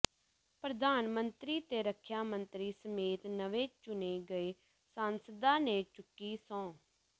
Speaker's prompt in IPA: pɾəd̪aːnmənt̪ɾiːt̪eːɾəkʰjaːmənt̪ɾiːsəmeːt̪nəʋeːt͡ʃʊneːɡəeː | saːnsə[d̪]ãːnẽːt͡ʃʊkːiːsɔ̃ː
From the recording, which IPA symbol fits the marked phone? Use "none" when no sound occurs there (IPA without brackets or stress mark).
d̪